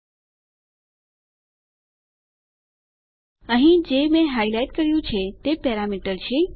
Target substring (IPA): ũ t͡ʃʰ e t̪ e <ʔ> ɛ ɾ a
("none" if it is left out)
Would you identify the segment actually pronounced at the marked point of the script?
p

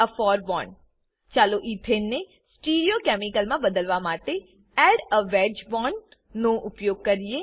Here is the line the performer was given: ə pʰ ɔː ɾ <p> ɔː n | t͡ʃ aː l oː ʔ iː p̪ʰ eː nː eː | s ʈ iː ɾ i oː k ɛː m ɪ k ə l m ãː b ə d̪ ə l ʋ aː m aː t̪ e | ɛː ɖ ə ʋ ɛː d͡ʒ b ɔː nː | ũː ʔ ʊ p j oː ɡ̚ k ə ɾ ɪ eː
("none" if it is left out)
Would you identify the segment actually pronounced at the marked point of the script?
b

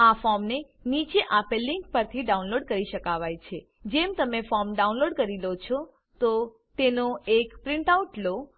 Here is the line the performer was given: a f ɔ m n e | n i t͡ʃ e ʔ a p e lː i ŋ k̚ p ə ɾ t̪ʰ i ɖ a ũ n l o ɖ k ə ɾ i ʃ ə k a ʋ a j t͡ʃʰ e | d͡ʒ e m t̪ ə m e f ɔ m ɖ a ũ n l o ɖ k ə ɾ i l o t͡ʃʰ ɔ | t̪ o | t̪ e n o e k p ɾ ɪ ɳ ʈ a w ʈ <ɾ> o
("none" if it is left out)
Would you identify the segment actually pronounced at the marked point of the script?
l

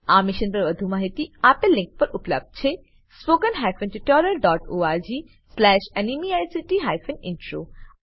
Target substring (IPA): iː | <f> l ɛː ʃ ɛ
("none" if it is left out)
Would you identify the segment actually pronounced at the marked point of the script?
s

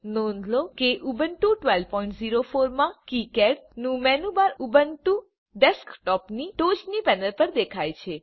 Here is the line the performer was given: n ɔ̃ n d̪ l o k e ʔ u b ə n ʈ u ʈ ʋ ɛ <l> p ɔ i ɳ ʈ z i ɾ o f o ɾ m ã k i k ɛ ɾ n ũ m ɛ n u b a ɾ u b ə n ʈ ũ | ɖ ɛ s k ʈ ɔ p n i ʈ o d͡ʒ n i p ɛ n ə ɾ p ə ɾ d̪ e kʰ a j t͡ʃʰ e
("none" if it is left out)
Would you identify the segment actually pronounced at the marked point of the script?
l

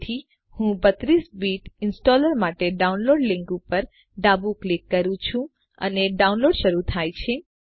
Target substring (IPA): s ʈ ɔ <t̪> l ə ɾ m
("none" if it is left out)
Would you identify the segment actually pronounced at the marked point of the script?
none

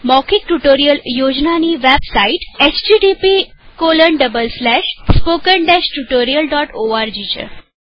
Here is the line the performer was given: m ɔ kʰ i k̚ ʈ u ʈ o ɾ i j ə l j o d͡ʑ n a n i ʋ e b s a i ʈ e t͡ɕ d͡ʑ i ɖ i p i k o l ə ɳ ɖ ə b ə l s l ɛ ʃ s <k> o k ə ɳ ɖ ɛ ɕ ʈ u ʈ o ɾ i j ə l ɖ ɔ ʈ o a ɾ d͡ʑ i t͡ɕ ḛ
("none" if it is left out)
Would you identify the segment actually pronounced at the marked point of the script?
p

